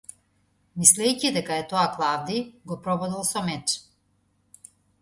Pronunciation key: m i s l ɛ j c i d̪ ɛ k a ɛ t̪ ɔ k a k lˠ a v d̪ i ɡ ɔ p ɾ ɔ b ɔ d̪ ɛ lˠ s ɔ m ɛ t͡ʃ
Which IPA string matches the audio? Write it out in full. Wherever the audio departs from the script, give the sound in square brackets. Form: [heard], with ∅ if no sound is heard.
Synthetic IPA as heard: m i s l ɛ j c i d̪ ɛ k a ɛ t̪ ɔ [∅] a k lˠ a v d̪ i ɡ ɔ p ɾ ɔ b ɔ d̪ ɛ lˠ s ɔ m ɛ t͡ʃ